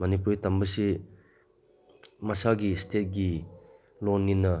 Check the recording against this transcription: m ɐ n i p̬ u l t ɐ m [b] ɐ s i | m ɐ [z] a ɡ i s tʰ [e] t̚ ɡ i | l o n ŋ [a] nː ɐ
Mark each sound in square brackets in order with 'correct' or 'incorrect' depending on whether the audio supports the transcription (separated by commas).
correct, incorrect, correct, incorrect